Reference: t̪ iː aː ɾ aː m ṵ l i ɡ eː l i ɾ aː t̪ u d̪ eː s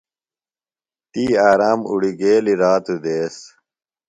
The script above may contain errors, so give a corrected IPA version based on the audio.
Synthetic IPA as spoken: t̪ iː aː ɾ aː m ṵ ɽ i ɡ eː l i ɾ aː t̪ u d̪ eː s